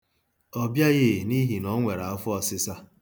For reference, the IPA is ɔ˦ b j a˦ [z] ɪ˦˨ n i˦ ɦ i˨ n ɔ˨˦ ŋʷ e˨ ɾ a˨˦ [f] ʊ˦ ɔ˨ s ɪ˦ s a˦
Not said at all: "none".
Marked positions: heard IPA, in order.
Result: ɣ, f

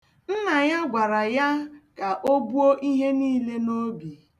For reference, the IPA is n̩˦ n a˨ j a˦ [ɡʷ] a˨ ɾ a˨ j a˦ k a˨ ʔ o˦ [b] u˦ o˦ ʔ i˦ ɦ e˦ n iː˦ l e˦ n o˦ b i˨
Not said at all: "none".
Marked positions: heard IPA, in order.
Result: ɡʷ, b

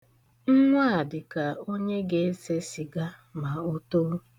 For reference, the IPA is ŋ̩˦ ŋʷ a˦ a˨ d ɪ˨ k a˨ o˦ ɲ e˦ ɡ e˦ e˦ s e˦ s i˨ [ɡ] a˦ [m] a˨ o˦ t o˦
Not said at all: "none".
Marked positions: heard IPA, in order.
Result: ɡ, m

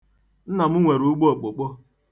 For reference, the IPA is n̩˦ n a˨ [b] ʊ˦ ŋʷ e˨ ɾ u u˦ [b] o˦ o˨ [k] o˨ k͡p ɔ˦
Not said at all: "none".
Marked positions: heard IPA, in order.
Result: m, ɡ͡b, k͡p

